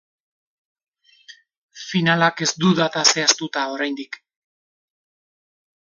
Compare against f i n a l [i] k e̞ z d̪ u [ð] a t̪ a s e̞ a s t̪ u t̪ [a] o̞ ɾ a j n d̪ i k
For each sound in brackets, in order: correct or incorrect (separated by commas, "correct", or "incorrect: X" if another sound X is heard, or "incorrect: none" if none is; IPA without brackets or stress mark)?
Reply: incorrect: a, correct, correct